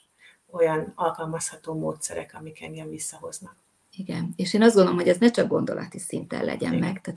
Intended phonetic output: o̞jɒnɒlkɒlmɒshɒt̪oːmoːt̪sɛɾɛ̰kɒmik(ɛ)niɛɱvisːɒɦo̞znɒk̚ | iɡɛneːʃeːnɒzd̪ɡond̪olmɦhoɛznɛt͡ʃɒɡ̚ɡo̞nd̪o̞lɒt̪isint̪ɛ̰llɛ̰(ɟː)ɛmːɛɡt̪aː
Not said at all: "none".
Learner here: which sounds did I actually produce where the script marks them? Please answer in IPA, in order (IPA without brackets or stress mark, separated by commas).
ɛ, ɟ